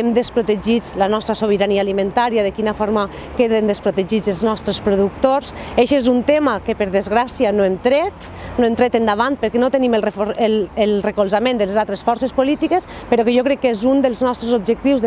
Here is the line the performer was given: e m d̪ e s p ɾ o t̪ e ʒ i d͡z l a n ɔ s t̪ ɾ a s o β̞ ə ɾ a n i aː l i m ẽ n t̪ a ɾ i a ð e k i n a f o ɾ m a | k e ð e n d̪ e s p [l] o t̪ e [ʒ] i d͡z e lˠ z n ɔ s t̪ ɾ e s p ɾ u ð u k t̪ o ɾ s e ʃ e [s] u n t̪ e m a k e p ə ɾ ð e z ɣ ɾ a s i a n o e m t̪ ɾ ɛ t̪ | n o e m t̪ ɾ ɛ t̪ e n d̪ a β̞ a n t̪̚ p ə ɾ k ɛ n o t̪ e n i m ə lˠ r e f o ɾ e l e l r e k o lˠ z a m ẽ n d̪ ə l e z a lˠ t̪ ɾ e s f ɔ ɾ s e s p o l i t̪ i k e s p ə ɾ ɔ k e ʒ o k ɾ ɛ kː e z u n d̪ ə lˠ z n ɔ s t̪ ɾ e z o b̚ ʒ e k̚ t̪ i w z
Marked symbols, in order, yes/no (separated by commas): no, yes, no